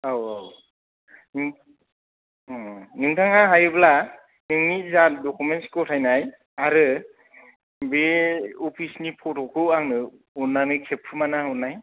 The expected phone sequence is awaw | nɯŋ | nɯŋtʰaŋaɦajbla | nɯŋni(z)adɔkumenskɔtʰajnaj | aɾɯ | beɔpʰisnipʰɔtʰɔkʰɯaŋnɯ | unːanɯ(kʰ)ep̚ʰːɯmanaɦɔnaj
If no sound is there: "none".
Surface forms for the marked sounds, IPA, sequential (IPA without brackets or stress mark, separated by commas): z, kʰ